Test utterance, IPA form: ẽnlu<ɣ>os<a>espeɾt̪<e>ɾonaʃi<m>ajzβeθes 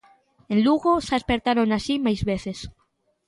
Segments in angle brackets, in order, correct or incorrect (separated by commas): correct, correct, incorrect, correct